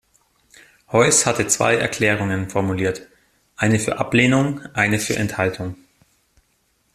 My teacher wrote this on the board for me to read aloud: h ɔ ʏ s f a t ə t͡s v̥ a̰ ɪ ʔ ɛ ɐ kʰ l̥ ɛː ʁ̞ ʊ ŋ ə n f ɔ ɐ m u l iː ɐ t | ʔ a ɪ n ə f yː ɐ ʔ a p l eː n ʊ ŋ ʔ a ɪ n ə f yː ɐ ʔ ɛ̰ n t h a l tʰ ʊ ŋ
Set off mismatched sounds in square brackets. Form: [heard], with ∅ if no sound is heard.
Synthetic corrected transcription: h ɔ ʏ s [h] a t ə t͡s v̥ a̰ ɪ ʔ ɛ ɐ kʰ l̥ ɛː ʁ̞ ʊ ŋ ə n f ɔ ɐ m u l iː ɐ t | ʔ a ɪ n ə f yː ɐ ʔ a p l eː n ʊ ŋ ʔ a ɪ n ə f yː ɐ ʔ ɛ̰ n t h a l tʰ ʊ ŋ

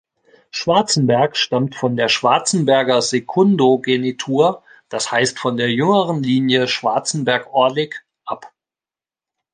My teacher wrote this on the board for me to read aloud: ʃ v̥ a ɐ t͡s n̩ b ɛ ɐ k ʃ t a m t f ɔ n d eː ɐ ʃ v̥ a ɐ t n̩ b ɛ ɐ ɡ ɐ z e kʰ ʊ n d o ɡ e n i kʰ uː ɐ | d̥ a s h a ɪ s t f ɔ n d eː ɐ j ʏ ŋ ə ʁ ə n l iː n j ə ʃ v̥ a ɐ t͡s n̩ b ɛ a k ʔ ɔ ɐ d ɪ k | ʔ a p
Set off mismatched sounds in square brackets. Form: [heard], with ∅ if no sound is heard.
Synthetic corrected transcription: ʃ v̥ a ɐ t͡s n̩ b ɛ ɐ k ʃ t a m t f ɔ n d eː ɐ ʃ v̥ a ɐ [t͡s] n̩ b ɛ ɐ ɡ ɐ z e kʰ ʊ n d o ɡ e n i [tʰ] uː ɐ | d̥ a s h a ɪ s t f ɔ n d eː ɐ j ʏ ŋ ə ʁ ə n l iː n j ə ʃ v̥ a ɐ t͡s n̩ b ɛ [ɐ] k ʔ ɔ ɐ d ɪ k | ʔ a p

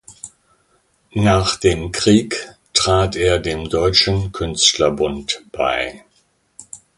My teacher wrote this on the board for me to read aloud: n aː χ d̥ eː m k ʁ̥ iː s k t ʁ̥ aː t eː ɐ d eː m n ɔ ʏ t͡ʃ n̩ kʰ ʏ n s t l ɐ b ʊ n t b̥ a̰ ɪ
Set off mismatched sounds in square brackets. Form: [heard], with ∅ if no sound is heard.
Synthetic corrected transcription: n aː χ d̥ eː m k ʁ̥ iː [∅] k t ʁ̥ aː t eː ɐ d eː m [d] ɔ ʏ t͡ʃ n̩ kʰ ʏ n s t l ɐ b ʊ n t b̥ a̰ ɪ

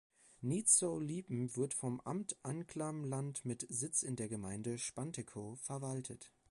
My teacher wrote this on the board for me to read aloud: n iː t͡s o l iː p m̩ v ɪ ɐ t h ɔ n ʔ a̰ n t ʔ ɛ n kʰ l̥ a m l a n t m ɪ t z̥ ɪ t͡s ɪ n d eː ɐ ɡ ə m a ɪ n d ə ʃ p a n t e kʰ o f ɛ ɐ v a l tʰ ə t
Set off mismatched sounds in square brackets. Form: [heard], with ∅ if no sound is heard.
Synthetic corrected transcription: n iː t͡s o l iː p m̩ v ɪ ɐ t [f] ɔ [m] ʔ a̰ [m] t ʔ [a] n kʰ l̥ a m l a n t m ɪ t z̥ ɪ t͡s ɪ n d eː ɐ ɡ ə m a ɪ n d ə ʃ p a n t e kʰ o f ɛ ɐ v a l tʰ ə t

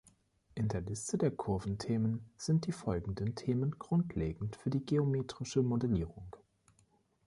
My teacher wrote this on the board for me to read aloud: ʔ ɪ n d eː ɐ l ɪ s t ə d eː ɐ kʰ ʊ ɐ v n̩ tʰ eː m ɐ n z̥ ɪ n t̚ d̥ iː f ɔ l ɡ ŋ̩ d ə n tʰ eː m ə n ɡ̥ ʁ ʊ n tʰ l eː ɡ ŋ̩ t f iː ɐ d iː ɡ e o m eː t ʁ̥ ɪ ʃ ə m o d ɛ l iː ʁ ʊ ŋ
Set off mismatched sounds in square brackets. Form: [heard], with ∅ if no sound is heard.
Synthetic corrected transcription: ʔ ɪ n d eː ɐ l ɪ s t ə d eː ɐ kʰ ʊ ɐ v n̩ tʰ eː m [ə] n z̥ ɪ n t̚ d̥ iː f ɔ l ɡ ŋ̩ d ə n tʰ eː m ə n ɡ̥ ʁ ʊ n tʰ l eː ɡ ŋ̩ t f [yː] ɐ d iː ɡ e o m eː t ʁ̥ ɪ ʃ ə m o d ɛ l iː ʁ ʊ ŋ

